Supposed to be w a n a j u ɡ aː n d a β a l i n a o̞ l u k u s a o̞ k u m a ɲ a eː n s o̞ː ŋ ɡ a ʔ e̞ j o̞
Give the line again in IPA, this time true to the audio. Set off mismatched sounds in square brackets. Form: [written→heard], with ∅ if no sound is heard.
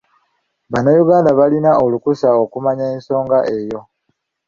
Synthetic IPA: [w→β] a n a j u ɡ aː n d a β a l i n a o̞ l u k u s a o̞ k u m a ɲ a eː n s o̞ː ŋ ɡ a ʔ e̞ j o̞